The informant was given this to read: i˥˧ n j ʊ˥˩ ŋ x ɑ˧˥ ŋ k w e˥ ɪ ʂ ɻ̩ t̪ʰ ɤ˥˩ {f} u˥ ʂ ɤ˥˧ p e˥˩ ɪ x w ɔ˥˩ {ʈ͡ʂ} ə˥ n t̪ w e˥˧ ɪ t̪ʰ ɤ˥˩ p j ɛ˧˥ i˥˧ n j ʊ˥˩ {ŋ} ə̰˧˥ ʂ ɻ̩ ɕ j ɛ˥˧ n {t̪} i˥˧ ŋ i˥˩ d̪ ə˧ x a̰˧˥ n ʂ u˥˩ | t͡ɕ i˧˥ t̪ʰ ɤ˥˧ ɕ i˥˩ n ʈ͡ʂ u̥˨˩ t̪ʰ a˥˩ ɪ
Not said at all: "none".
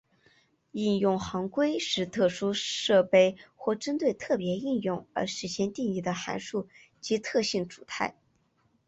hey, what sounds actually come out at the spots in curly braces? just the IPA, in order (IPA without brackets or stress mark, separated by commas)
ʂ, ʈ͡ʂ, ŋ, t̪